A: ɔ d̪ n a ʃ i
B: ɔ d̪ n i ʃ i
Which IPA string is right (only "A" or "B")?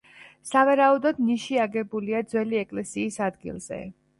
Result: B